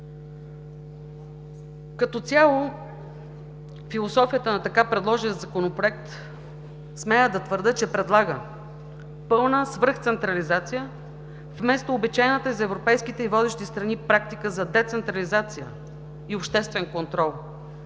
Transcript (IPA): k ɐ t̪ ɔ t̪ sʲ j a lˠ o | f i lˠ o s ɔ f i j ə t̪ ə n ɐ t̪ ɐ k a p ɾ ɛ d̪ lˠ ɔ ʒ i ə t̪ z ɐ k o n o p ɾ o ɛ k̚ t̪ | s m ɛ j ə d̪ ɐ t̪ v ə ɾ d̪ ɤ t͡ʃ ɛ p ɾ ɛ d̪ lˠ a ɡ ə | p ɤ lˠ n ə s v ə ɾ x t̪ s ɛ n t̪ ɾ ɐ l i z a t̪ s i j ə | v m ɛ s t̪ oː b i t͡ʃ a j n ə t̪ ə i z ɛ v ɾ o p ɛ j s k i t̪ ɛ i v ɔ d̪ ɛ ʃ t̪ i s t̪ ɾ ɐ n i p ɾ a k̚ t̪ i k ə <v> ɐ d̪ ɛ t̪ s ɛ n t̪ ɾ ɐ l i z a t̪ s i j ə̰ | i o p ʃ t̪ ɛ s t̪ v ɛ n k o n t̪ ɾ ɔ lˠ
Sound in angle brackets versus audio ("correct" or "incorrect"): incorrect